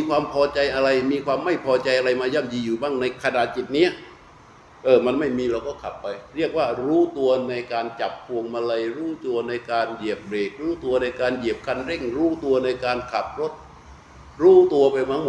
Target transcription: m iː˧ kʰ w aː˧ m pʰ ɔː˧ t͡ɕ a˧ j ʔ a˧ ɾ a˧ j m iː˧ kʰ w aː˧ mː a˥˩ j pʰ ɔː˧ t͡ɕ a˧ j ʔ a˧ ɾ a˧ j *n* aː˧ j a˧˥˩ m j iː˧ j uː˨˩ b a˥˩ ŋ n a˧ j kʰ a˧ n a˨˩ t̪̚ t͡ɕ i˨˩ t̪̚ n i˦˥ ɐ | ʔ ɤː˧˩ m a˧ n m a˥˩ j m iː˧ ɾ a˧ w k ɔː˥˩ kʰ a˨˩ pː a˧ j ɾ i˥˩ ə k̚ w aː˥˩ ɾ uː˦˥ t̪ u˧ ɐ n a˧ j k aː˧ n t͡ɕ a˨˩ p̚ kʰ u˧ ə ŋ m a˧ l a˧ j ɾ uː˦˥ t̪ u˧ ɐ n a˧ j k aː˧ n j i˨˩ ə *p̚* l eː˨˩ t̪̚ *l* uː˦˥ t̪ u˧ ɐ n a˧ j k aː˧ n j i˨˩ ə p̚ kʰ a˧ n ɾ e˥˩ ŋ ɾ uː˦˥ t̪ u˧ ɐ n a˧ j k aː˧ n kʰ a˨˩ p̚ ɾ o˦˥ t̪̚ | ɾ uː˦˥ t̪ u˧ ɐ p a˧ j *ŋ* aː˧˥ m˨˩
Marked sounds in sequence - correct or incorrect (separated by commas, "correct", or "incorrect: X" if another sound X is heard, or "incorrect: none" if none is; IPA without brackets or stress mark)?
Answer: incorrect: m, correct, incorrect: ɾ, incorrect: m